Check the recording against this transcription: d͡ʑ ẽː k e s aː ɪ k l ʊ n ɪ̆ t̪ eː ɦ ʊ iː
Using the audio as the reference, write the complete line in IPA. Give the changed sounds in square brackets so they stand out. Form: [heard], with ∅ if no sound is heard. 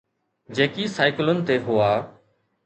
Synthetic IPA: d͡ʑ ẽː k [i] s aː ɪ k l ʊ n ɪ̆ t̪ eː ɦ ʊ [aː]